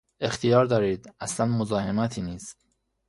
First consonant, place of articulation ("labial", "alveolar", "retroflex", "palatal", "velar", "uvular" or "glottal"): velar